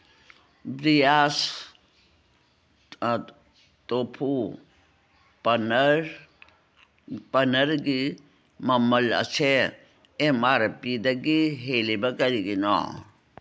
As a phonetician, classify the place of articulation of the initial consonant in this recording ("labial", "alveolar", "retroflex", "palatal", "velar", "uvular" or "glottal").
labial